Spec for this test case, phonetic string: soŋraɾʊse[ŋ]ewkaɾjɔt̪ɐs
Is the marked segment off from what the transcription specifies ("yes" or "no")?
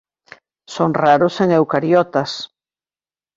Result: no